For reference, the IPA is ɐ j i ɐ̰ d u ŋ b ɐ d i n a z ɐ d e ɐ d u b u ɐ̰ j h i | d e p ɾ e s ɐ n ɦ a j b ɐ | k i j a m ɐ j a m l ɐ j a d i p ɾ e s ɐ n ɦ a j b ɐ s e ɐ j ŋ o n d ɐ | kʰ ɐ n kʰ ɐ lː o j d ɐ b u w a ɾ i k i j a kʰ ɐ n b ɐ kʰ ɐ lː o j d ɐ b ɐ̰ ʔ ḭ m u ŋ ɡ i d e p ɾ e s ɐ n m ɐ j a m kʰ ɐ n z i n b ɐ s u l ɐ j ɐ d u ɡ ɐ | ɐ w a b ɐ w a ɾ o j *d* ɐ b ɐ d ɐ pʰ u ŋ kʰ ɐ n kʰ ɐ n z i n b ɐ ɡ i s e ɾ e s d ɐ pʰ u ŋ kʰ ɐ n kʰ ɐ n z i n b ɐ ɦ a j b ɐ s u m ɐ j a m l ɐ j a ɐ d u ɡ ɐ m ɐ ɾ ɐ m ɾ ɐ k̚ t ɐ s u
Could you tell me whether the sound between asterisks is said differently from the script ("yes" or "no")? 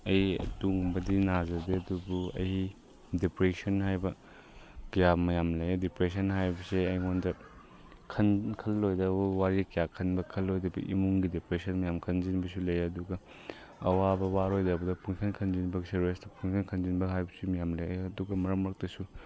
no